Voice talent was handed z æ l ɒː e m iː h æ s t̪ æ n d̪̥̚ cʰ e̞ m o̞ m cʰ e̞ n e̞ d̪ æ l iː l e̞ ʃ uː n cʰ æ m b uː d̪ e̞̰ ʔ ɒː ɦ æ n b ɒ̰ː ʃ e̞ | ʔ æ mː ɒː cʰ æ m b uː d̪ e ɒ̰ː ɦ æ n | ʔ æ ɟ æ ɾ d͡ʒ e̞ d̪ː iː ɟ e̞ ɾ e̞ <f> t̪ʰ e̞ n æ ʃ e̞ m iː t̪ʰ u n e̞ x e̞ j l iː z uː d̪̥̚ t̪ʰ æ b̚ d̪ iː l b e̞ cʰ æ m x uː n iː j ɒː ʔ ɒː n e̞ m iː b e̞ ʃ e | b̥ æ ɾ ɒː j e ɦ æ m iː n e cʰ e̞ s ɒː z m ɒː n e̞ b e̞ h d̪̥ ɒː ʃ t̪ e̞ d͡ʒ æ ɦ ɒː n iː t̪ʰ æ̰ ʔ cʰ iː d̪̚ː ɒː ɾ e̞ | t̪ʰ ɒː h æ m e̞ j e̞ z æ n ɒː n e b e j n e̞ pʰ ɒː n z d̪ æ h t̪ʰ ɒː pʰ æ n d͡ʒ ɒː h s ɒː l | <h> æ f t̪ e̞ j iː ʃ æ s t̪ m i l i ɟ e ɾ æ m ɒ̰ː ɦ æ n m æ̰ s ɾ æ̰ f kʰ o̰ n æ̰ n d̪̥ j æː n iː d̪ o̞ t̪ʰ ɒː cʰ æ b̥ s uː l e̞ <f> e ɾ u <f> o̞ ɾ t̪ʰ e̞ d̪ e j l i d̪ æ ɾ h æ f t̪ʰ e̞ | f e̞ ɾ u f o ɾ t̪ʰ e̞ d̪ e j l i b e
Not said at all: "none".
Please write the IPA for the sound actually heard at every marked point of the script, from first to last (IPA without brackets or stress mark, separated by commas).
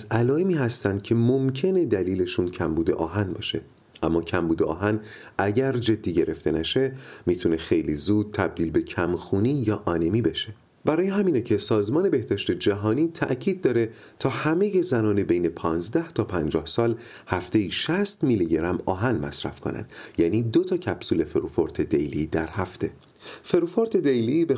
f, h, f, f